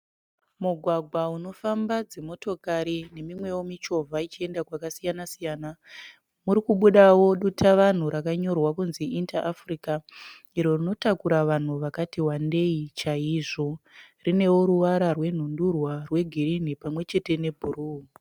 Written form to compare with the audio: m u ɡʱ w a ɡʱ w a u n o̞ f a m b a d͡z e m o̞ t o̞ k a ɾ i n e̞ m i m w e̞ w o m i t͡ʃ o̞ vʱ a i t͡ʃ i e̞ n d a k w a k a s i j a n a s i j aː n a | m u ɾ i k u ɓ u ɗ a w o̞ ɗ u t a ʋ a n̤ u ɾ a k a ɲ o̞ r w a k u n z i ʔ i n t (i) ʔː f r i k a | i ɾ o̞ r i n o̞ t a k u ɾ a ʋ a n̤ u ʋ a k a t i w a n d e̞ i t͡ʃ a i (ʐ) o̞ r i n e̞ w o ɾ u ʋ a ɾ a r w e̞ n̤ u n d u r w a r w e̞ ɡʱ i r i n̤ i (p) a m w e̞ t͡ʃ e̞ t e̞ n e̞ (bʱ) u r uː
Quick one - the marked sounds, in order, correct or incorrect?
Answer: incorrect: a, correct, correct, correct

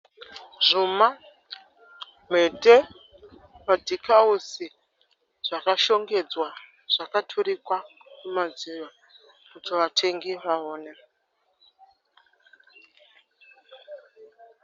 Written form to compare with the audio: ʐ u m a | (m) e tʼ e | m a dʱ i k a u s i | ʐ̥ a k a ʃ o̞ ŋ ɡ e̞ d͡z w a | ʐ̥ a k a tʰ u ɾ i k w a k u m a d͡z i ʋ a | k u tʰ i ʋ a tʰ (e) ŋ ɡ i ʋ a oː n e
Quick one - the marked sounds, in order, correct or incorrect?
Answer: correct, correct

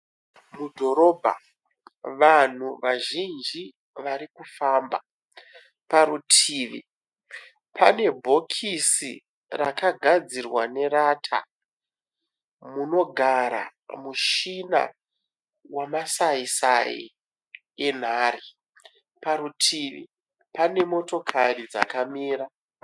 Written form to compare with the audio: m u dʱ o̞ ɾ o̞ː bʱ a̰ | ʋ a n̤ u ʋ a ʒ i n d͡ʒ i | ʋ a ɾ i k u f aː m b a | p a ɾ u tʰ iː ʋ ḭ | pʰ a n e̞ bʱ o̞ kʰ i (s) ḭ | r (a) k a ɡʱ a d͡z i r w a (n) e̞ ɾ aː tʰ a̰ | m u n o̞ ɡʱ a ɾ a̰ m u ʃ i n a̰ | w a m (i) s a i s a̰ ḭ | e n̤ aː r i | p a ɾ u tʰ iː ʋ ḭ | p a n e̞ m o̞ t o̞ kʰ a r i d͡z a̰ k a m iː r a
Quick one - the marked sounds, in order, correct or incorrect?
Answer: correct, correct, correct, incorrect: a

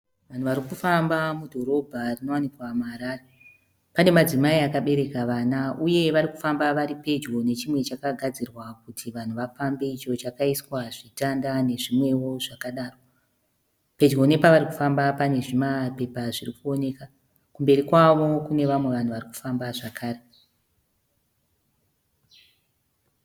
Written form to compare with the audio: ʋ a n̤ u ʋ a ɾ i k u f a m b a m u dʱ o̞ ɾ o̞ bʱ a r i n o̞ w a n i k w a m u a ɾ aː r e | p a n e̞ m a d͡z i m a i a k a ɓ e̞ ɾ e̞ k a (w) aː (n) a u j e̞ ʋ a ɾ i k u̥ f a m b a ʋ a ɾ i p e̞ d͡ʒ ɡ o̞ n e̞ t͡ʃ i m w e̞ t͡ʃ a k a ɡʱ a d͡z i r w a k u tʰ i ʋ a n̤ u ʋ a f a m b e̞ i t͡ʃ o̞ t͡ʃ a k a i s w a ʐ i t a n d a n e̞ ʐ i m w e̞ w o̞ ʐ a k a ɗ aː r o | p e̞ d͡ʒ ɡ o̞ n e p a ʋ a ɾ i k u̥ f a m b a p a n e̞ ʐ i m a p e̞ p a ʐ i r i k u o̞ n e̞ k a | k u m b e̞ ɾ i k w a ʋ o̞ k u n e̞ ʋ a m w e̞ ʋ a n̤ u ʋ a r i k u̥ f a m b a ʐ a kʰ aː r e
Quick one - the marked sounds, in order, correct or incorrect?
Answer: incorrect: ʋ, correct

